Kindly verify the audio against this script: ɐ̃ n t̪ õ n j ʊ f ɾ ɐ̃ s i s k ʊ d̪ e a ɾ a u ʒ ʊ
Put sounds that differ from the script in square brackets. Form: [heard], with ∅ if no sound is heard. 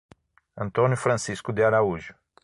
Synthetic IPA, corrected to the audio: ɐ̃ n t̪ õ n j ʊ f ɾ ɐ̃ s i s k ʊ d̪ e a ɾ a u ʒ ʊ